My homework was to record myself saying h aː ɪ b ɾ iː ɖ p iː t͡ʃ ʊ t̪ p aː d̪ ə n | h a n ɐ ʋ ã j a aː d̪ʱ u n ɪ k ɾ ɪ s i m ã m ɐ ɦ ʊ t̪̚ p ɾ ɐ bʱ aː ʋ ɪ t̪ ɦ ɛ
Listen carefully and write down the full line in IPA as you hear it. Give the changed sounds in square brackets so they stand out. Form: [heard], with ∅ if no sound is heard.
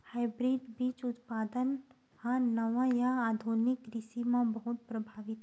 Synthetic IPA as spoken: h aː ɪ b ɾ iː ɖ [b] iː t͡ʃ ʊ t̪ p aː d̪ ə n | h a n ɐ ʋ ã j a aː d̪ʱ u n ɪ k ɾ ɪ s i m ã [b] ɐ ɦ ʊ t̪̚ p ɾ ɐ bʱ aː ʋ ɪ t̪ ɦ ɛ